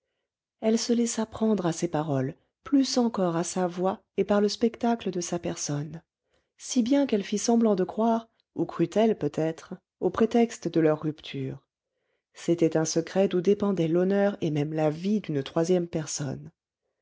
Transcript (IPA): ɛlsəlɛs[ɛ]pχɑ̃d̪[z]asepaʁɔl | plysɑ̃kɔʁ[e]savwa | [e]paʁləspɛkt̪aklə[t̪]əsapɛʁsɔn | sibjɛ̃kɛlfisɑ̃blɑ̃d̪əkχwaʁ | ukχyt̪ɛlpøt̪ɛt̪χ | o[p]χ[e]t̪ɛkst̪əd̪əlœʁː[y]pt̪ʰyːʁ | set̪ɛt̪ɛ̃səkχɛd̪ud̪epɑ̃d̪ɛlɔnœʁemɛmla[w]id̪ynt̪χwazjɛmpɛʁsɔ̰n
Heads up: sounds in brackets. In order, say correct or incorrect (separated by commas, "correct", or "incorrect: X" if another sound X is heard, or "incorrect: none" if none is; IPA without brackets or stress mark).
incorrect: a, incorrect: ʁ, incorrect: a, correct, incorrect: d̪, correct, correct, correct, incorrect: v